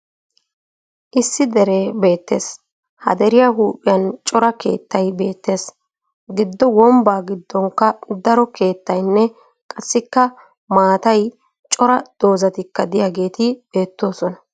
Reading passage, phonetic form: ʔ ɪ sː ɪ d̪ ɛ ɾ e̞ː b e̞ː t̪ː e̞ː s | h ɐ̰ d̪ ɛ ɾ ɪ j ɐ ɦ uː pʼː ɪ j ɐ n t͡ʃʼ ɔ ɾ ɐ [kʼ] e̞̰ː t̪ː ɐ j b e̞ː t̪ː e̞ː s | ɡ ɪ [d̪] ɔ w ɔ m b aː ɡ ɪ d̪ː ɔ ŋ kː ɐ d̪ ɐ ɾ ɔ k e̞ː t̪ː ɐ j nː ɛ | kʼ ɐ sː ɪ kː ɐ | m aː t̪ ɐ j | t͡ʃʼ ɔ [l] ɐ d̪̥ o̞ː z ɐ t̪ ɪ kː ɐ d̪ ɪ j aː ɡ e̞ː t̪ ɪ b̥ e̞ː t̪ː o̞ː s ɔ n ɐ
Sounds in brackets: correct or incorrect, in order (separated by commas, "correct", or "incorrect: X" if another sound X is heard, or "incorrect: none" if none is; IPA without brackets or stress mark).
incorrect: k, incorrect: d̪ː, incorrect: ɾ